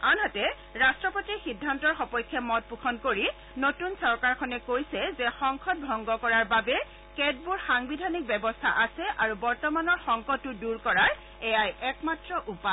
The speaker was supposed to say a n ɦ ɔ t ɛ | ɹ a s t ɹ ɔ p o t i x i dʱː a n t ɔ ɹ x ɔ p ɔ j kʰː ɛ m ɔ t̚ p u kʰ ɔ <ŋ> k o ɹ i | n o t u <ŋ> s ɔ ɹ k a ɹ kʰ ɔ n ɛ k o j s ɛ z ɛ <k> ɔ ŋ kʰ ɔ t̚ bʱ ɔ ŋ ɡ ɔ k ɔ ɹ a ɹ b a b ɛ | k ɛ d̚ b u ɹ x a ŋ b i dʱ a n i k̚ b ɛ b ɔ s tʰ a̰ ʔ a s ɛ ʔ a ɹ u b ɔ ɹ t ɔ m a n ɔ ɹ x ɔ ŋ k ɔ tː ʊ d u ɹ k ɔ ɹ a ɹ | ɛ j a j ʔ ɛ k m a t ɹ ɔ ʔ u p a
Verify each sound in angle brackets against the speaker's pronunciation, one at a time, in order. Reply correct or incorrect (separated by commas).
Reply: incorrect, incorrect, incorrect